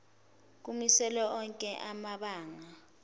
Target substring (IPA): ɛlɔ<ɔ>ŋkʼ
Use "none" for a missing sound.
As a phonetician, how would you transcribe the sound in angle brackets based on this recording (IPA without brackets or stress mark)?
ɔ